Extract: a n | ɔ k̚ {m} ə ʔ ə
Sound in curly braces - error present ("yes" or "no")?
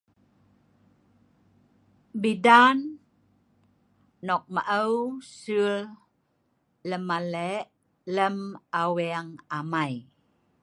no